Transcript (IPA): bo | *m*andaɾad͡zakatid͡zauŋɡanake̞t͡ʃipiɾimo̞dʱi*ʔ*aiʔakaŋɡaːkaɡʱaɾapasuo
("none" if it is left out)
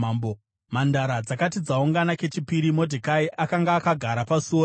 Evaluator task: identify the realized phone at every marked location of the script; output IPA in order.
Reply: m, k

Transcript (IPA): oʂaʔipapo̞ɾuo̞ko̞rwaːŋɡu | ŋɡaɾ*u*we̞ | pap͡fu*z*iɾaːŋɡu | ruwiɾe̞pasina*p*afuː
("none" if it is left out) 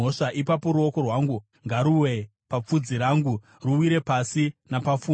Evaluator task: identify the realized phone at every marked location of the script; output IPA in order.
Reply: u, d͡z, p

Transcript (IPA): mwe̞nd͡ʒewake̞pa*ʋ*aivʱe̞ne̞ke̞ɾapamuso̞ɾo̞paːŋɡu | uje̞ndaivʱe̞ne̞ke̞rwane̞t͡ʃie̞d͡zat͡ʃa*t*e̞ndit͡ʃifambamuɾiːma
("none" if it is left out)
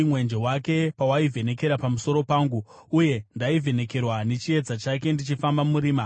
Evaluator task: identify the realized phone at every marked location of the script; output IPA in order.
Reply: w, k

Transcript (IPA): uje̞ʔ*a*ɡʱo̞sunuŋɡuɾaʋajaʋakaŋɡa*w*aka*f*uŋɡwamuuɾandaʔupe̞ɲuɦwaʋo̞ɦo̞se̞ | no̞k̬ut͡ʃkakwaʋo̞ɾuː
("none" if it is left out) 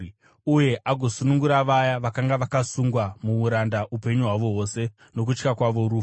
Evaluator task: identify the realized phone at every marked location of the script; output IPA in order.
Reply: a, ʋ, s

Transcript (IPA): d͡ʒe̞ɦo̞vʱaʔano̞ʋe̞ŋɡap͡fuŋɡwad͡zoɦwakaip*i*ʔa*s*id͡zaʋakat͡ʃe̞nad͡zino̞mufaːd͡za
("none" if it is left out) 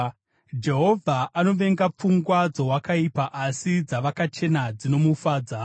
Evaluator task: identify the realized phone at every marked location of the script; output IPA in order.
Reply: a, s

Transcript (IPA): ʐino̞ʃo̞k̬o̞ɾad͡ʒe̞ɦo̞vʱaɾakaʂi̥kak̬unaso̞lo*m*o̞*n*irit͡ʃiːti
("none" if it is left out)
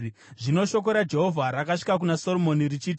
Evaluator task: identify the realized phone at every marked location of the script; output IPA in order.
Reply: m, n

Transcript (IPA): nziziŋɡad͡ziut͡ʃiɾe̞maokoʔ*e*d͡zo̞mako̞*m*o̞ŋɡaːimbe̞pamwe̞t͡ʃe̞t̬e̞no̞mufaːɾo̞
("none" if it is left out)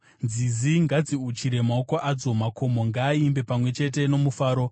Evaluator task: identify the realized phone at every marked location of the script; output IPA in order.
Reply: a, m

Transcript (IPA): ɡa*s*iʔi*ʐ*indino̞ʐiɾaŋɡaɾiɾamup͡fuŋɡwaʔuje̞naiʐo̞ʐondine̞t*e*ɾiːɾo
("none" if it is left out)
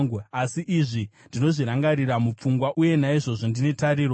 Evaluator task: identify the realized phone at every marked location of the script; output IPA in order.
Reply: s, ʐ, a

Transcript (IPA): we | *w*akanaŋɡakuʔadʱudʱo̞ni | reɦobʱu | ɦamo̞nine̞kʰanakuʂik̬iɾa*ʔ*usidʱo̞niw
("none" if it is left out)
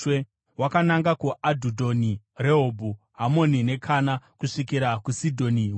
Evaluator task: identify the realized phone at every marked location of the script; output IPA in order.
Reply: w, k

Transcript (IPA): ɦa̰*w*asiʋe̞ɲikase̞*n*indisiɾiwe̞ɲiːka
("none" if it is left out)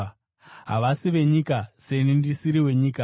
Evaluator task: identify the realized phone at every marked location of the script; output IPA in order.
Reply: ʋ, n

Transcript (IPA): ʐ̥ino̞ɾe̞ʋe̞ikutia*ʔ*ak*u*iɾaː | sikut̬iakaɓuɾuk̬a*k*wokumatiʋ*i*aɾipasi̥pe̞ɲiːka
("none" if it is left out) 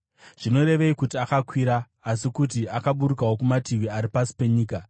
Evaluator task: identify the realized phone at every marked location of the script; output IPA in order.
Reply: k, w, none, i

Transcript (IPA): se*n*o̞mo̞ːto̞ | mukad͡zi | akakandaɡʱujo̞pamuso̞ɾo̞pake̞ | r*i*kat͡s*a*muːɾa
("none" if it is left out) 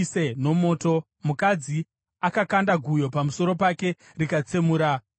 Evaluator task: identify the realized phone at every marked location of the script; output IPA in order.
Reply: n, i, e

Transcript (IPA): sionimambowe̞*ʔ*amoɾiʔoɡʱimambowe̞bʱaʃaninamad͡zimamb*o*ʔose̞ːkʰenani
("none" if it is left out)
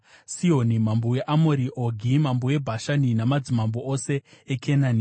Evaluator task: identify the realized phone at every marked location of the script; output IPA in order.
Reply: ʔ, o

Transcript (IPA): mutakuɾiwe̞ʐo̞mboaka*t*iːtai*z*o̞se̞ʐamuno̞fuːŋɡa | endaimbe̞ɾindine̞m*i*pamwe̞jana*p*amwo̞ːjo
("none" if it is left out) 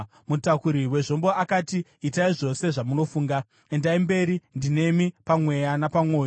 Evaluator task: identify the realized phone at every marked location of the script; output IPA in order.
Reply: t, ʐ, i, p

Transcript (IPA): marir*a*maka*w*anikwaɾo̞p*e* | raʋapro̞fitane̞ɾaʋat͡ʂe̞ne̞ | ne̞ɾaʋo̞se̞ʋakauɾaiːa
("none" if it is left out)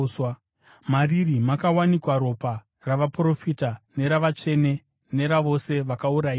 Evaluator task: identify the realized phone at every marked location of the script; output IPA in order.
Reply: i, w, a

